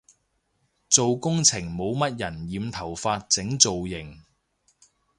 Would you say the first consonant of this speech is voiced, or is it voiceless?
voiceless